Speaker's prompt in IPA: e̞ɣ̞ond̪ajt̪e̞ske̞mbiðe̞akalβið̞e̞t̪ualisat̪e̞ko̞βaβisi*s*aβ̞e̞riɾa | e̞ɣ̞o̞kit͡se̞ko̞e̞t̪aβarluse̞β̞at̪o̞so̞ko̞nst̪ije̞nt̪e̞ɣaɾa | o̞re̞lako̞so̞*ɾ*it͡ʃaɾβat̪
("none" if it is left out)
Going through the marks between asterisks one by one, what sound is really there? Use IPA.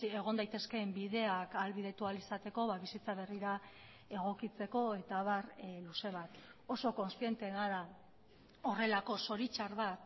t͡s, ɾ

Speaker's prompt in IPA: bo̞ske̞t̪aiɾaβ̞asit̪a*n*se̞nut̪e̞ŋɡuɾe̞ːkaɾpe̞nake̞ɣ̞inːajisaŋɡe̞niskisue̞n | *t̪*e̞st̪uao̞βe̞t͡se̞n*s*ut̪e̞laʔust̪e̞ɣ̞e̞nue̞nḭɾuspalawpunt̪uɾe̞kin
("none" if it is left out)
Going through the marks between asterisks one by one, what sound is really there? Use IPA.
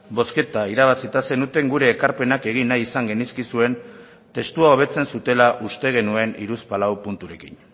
none, t̪, s

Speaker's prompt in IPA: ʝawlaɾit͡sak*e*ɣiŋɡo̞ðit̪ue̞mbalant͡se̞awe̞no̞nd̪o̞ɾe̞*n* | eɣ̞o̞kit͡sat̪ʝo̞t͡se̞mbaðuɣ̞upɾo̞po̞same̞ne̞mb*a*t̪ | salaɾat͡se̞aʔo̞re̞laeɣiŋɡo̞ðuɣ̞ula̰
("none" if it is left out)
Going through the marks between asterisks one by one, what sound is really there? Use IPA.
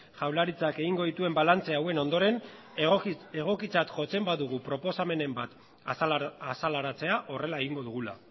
e, n, a

